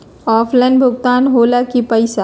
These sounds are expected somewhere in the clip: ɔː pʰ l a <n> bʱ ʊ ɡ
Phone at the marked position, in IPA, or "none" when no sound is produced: n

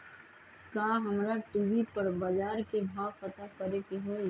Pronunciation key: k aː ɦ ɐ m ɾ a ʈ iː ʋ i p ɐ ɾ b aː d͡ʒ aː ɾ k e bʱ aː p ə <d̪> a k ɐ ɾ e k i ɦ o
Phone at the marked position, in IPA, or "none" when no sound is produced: t̪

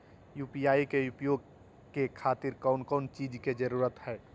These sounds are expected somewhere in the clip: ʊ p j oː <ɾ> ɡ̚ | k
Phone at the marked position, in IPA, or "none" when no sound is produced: none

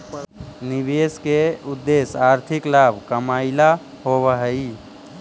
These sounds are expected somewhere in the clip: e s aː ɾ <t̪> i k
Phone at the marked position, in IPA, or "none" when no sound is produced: t̪ʰ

